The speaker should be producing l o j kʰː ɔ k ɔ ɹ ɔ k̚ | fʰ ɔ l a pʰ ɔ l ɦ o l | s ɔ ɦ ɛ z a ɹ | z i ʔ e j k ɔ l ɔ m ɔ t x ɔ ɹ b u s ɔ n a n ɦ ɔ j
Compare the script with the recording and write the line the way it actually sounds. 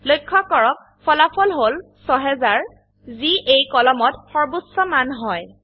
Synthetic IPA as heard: l o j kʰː ɔ k ɔ ɹ ɔ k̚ | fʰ ɔ l a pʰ ɔ l ɦ o l | s ɔ ɦ ɛ z a ɹ | z i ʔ e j k ɔ l ɔ m ɔ t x ɔ ɹ b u s ɔ m a n ɦ ɔ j